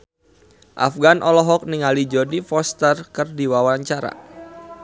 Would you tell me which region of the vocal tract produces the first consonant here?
throat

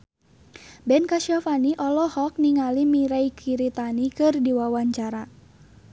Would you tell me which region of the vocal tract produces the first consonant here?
lips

